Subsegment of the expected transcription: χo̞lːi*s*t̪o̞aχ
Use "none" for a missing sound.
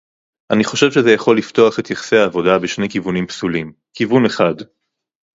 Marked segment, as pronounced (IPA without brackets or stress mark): f